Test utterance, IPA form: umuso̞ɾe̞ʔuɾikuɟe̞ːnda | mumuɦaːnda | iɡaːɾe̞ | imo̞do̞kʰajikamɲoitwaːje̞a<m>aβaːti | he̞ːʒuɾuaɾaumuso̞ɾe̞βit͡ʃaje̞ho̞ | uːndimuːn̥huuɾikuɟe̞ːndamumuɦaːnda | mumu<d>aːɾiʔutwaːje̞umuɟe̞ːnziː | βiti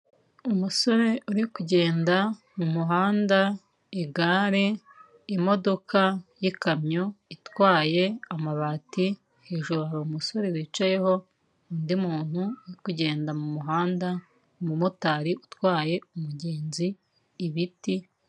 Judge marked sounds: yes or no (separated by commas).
yes, no